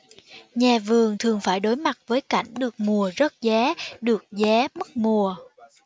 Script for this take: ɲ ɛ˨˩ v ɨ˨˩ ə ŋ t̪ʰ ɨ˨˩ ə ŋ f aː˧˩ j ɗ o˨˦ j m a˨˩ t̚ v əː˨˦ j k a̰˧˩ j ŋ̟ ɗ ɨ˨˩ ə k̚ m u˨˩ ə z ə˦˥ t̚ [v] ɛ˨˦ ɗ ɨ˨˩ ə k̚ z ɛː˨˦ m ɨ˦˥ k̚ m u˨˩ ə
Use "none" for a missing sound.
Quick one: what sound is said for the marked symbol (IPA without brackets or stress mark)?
z